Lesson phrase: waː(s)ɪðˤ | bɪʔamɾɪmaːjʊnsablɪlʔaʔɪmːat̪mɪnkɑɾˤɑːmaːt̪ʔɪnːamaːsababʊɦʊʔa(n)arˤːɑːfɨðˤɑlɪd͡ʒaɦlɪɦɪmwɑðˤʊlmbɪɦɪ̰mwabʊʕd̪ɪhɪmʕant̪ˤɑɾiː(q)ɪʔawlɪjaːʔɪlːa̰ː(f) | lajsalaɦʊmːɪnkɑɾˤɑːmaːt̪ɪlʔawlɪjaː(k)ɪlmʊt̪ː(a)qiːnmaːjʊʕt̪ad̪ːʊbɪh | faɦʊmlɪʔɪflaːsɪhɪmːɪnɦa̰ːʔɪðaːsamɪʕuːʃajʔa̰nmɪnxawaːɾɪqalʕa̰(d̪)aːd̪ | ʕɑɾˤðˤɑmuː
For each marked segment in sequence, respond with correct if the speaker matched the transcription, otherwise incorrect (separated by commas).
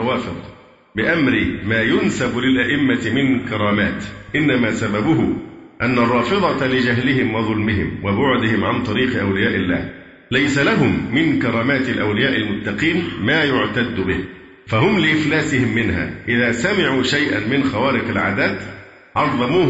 incorrect, incorrect, correct, incorrect, incorrect, incorrect, correct